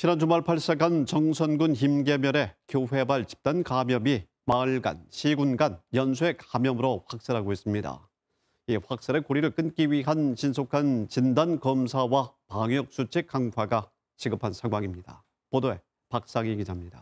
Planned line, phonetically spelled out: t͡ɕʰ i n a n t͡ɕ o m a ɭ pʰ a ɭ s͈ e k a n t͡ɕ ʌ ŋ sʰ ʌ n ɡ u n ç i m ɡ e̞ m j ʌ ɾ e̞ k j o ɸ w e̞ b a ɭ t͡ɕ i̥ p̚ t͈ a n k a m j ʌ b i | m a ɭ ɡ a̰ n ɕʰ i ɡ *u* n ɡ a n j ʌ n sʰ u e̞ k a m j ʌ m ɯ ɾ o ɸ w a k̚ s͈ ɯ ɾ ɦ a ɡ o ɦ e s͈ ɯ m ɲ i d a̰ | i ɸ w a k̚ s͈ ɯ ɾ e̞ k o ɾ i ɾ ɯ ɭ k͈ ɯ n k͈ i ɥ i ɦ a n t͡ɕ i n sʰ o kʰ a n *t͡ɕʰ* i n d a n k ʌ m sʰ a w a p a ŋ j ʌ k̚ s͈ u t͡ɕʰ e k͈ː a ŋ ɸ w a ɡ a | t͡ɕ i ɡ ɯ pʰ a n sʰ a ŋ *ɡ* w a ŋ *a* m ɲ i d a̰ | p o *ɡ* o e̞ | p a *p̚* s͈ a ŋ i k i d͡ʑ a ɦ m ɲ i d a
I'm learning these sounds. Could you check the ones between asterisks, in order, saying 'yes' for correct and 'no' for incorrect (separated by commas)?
yes, no, yes, no, no, no